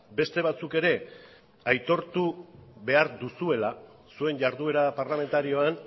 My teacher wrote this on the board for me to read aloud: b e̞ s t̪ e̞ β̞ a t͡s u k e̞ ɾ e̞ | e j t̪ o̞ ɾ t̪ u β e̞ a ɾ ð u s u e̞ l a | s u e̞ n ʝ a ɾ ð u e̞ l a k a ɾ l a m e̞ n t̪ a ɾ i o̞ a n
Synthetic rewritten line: b e̞ s t̪ e̞ β̞ a t͡s u k e̞ ɾ e̞ | a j t̪ o̞ ɾ t̪ u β e̞ a ɾ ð u s u e̞ l a | s u e̞ n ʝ a ɾ ð u e̞ ɾ a p a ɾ l a m e̞ n t̪ a ɾ i o̞ a n